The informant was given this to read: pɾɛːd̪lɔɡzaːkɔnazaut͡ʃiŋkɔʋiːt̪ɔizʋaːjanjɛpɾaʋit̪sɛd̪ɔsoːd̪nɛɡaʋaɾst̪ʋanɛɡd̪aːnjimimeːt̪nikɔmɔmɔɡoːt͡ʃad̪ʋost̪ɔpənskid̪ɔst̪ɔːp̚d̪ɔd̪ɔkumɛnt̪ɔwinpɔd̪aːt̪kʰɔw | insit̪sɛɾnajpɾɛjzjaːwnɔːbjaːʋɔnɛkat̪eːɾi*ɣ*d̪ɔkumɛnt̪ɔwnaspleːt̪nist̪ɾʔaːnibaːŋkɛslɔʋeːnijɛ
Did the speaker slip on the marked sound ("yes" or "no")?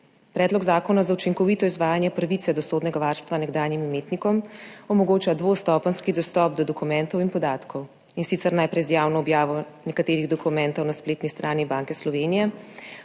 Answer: no